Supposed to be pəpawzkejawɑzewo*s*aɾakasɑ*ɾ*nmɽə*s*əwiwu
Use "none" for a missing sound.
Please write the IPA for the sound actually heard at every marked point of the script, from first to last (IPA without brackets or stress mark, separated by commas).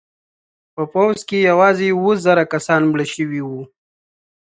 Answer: z, none, ʃ